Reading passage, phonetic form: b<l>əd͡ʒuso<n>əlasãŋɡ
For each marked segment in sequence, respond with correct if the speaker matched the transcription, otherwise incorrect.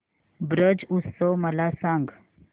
incorrect: ɾ, incorrect: m

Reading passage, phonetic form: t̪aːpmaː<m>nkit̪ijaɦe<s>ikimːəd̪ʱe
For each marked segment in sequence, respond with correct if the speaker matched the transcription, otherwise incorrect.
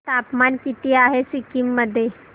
incorrect: none, correct

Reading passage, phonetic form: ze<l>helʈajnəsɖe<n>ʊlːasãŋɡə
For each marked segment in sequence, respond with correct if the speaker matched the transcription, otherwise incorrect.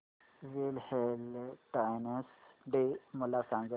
correct, incorrect: m

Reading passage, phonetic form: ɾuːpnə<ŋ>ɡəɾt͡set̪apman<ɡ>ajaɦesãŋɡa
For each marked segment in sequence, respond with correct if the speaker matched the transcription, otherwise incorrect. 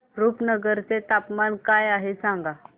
incorrect: none, incorrect: k

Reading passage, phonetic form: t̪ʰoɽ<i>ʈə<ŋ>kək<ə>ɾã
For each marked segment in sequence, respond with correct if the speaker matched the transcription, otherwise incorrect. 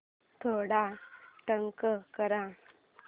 incorrect: a, correct, correct

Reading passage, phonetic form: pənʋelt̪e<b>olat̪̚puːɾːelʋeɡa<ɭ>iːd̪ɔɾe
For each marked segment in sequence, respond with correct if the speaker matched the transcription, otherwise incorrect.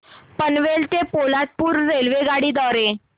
incorrect: p, incorrect: ɽ

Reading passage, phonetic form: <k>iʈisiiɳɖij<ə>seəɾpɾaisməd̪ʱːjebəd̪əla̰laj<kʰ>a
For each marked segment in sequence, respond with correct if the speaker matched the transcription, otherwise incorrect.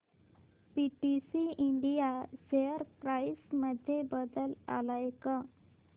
incorrect: p, incorrect: a, incorrect: k

